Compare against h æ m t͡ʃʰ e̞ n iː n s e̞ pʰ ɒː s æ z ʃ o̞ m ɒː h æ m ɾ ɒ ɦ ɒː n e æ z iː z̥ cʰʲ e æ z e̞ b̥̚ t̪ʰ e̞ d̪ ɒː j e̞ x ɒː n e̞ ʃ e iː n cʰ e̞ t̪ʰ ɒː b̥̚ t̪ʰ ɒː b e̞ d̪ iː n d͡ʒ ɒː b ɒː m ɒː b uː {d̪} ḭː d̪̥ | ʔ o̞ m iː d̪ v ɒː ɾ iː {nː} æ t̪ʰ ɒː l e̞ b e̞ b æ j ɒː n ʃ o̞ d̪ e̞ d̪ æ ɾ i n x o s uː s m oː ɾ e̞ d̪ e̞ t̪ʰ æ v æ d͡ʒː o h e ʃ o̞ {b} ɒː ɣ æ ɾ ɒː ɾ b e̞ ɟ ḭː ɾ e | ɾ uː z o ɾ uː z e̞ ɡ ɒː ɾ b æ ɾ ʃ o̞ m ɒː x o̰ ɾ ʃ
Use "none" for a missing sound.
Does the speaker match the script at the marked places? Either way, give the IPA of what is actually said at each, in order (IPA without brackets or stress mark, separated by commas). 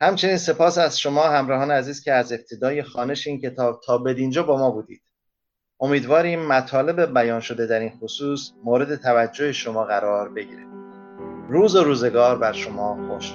d̪, mː, m